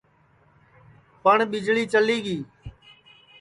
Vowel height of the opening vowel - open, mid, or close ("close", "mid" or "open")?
mid